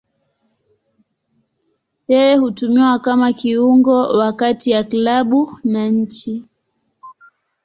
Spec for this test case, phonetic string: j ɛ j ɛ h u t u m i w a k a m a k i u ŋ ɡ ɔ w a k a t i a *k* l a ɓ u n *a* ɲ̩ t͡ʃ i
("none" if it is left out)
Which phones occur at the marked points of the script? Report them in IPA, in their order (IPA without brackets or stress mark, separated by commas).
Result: k, a